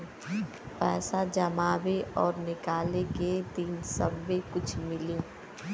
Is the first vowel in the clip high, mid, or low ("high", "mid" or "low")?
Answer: mid